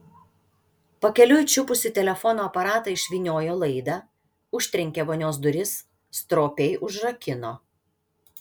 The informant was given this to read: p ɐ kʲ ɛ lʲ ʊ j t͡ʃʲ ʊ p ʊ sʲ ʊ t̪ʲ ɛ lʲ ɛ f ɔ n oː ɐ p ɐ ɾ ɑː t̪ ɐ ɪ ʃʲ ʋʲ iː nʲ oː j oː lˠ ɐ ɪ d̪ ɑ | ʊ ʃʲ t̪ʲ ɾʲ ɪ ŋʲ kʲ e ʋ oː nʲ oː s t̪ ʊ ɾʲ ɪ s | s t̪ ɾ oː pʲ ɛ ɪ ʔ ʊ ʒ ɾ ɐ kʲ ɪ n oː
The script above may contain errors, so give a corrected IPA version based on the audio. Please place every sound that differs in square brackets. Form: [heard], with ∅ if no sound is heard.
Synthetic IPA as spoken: p ɐ kʲ ɛ lʲ ʊ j t͡ʃʲ ʊ p ʊ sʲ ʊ t̪ʲ ɛ lʲ ɛ f ɔ n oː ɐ p ɐ ɾ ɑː t̪ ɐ ɪ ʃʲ ʋʲ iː nʲ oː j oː lˠ ɐ ɪ d̪ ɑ | ʊ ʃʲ t̪ʲ ɾʲ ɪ ŋʲ kʲ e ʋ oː nʲ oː s [d̪] ʊ ɾʲ ɪ s | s t̪ ɾ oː pʲ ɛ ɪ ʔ ʊ ʒ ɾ ɐ kʲ ɪ n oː